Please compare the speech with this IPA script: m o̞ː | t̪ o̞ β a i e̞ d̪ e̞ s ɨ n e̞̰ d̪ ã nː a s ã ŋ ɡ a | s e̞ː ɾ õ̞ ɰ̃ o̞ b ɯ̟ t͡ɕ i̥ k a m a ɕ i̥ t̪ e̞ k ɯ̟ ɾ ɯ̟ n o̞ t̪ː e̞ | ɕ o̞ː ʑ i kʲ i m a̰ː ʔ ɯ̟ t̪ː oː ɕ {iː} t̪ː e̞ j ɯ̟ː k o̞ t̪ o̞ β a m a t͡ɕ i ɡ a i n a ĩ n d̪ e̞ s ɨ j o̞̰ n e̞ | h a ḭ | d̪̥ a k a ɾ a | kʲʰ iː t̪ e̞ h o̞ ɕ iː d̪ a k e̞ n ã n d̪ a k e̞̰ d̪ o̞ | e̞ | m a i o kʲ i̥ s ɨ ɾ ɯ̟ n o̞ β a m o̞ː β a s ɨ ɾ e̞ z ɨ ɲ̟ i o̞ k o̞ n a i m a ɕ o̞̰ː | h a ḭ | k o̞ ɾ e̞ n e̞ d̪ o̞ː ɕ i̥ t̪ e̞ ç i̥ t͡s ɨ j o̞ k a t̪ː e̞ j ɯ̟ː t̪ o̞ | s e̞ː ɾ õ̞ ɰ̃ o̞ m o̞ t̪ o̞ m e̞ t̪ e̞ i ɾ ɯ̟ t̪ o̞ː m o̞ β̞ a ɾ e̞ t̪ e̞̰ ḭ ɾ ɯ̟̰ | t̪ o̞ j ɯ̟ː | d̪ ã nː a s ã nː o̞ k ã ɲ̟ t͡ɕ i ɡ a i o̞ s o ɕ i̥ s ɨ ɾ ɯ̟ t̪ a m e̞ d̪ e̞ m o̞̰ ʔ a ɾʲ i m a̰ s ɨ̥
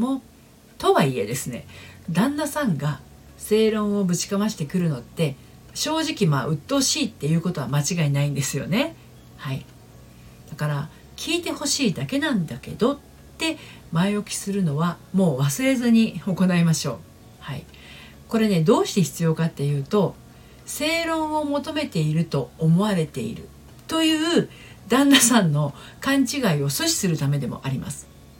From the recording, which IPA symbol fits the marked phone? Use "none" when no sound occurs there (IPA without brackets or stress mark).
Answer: iː